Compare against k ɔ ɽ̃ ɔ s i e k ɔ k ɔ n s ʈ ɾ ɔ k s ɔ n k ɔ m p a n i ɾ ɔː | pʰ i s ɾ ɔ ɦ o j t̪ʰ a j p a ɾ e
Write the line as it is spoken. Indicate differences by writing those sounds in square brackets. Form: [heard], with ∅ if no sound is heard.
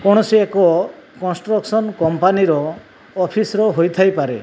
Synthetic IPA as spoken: k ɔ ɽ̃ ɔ s i e k ɔ k ɔ n s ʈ ɾ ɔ k s ɔ n k ɔ m p a n i ɾ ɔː | pʰ i s ɾ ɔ ɦ o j t̪ʰ a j p a ɾ e